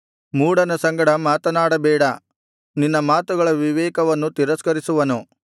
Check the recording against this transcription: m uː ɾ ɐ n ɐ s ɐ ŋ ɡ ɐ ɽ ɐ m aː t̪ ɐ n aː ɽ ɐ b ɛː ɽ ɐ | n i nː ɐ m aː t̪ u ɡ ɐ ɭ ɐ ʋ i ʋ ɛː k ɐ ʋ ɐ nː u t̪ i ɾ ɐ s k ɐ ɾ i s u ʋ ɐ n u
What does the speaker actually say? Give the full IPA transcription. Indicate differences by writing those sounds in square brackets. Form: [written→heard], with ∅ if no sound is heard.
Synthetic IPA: m uː [ɾ→ɽ] ɐ n ɐ s ɐ ŋ ɡ ɐ ɽ ɐ m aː t̪ ɐ n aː ɽ ɐ b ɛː ɽ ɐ | n i nː ɐ m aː t̪ u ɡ ɐ ɭ ɐ ʋ i ʋ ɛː k ɐ ʋ ɐ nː u t̪ i ɾ ɐ s k ɐ ɾ i s u ʋ ɐ n u

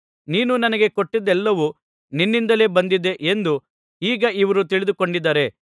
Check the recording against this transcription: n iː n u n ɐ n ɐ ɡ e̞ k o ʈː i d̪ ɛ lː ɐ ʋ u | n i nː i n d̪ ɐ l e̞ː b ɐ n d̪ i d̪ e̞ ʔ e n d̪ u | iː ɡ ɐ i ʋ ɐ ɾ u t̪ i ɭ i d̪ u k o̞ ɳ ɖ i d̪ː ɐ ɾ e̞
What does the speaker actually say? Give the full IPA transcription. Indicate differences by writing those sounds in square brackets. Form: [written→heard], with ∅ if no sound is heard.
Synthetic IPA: n iː n u n ɐ n ɐ ɡ e̞ k o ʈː i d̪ ɛ lː ɐ ʋ u | n i nː i n d̪ ɐ l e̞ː b ɐ n d̪ i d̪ e̞ ʔ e n d̪ u | iː ɡ ɐ i ʋ ɐ ɾ u t̪ i ɭ i d̪ u k o̞ ɳ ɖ i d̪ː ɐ ɾ e̞

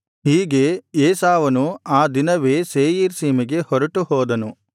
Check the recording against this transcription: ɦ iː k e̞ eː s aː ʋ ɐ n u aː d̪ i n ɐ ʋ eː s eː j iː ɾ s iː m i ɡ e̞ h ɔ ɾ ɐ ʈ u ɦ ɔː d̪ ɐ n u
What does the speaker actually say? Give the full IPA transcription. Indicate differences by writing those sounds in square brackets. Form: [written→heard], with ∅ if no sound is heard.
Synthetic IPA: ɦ iː [k→ɡ] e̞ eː s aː ʋ ɐ n u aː d̪ i n ɐ ʋ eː s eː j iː ɾ s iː m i ɡ e̞ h ɔ ɾ ɐ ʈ u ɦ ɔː d̪ ɐ n u

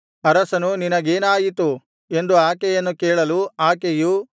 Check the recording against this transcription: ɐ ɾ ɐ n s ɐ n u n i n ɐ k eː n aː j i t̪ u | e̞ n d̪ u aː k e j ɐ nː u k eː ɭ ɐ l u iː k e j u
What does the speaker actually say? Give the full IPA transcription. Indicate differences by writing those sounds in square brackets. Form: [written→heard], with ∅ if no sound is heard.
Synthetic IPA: ɐ ɾ ɐ [n→∅] s ɐ n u n i n ɐ [k→ɡ] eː n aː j i t̪ u | e̞ n d̪ u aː k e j ɐ nː u k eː ɭ ɐ l u [iː→aː] k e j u

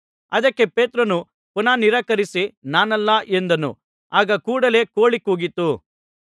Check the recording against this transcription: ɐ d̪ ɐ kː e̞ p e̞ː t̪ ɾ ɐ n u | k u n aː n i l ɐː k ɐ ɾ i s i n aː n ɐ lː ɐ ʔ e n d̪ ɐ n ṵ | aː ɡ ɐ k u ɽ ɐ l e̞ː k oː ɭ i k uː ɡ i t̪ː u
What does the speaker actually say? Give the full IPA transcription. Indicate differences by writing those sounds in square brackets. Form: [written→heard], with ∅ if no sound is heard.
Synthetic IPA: ɐ d̪ ɐ kː e̞ p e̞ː t̪ ɾ ɐ n u | [k→p] u n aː n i [l→ɾ] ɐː k ɐ ɾ i s i n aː n ɐ lː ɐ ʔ e n d̪ ɐ n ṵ | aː ɡ ɐ k [u→uː] ɽ ɐ l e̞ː k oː ɭ i k uː ɡ i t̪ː u

